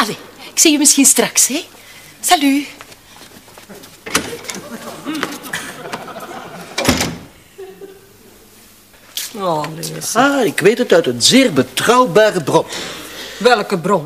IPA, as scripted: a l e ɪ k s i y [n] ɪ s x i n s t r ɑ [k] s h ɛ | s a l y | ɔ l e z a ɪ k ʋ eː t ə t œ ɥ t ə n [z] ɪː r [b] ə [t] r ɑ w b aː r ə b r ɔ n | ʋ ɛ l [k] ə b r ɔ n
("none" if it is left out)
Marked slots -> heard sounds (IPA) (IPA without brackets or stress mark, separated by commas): m, k, z, b, t, k